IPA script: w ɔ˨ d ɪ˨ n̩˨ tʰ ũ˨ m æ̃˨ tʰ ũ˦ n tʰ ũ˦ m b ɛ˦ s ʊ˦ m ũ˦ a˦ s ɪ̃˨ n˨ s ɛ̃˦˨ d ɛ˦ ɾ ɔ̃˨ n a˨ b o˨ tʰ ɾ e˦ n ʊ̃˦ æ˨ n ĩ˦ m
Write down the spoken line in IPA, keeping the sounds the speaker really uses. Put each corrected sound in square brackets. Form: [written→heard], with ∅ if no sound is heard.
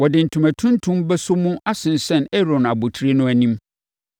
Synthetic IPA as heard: w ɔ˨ d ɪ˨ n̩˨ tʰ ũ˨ m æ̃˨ tʰ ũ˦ n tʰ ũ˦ m b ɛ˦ s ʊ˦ m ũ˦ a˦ s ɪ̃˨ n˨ s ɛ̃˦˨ [d→n] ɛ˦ ɾ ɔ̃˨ n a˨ b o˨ tʰ ɾ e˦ n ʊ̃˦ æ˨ n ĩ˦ m